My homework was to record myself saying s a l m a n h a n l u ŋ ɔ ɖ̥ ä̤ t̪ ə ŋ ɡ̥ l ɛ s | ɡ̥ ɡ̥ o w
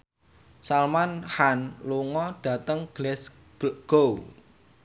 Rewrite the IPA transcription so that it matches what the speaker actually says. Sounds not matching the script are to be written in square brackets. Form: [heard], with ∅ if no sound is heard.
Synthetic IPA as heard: s a l m a n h a n l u ŋ ɔ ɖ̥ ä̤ t̪ ə ŋ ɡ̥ l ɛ s | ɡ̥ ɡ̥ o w